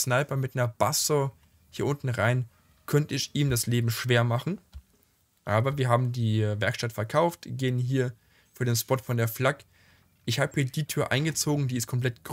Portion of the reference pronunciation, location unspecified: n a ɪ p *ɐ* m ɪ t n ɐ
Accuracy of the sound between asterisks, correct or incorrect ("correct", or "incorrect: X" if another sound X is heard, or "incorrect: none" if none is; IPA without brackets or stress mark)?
correct